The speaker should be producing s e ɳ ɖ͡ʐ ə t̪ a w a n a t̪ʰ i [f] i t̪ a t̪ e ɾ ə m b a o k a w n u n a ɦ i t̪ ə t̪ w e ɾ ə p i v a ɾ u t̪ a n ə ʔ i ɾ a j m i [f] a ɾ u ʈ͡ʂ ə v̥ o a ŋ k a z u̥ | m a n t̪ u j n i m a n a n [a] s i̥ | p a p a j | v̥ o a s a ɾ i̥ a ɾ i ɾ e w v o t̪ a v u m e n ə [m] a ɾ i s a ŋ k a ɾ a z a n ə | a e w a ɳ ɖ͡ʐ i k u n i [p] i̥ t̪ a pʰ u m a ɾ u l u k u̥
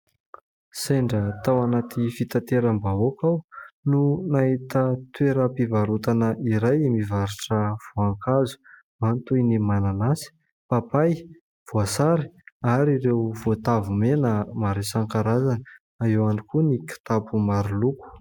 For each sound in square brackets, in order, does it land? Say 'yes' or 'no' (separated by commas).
yes, no, yes, yes, no